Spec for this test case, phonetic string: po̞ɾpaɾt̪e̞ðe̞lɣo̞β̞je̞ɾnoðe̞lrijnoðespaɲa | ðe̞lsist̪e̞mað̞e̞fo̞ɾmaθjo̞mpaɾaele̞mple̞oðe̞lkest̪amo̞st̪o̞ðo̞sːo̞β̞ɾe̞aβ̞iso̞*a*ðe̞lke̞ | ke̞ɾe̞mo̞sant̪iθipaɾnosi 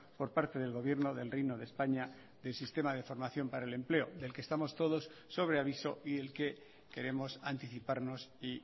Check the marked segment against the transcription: incorrect: i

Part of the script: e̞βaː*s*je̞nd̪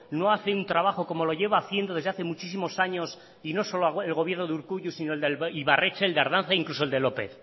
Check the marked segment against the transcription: incorrect: θ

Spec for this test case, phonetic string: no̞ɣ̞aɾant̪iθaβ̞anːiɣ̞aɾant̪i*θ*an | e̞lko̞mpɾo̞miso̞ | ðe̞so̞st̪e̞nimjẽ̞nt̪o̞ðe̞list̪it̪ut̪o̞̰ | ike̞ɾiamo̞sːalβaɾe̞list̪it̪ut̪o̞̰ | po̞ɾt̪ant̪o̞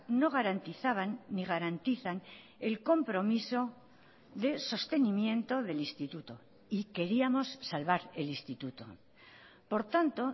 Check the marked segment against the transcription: correct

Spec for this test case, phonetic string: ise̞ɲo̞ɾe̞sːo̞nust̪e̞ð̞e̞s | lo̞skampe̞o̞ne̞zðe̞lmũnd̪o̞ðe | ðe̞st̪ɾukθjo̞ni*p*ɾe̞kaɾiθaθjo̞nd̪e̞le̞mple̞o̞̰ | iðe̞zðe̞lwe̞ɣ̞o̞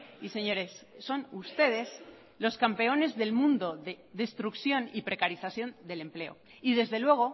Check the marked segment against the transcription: correct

